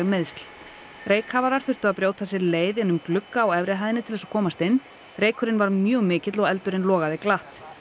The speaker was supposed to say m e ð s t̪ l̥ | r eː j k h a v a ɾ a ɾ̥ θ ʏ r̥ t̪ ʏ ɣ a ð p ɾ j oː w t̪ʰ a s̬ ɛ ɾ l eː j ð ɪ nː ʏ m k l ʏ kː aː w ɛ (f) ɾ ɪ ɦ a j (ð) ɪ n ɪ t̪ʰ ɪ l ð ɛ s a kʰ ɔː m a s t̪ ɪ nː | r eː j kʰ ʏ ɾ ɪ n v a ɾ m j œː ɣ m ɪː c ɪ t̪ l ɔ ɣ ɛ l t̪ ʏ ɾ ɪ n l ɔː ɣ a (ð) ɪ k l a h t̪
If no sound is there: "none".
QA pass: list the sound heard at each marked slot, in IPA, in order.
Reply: v, ð, ð

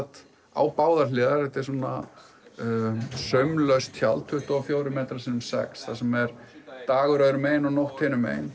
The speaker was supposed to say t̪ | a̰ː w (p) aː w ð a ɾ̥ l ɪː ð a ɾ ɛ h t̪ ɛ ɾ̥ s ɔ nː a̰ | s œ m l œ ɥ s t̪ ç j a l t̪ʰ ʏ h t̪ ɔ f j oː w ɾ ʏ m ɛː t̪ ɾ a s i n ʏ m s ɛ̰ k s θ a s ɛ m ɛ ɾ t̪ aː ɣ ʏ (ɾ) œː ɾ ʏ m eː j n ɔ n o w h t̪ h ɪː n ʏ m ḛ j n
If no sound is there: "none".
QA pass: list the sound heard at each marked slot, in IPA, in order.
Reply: p, ɾ

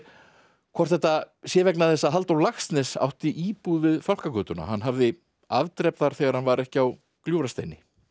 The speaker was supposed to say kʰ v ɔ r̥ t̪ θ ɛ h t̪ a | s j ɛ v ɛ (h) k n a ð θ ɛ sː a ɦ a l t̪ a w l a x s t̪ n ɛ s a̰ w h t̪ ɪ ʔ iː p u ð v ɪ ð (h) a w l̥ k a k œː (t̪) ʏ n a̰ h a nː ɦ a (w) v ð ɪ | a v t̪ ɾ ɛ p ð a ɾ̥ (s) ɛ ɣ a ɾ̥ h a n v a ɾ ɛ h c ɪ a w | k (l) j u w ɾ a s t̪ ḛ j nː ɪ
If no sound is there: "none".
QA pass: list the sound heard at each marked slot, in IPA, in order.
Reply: none, f, t̪, none, θ, l

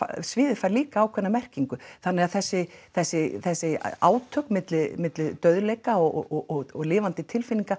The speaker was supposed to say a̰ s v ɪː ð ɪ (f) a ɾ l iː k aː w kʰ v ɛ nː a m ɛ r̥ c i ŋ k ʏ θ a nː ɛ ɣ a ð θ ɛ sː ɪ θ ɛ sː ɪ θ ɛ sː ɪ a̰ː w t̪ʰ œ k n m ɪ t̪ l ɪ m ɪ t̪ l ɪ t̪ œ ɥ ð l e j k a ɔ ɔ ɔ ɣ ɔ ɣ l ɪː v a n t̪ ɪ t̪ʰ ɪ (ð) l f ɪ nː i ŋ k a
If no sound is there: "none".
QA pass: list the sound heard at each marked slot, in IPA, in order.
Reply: f, none

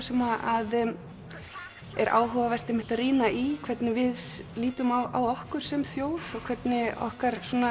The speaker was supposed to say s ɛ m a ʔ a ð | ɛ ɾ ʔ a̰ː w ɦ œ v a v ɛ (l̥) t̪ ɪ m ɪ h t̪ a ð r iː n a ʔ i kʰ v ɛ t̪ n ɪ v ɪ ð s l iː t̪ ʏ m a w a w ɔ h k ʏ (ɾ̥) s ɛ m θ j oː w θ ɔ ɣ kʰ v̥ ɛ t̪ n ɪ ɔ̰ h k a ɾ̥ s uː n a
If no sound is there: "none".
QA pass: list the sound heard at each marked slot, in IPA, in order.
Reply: r̥, ɾ̥

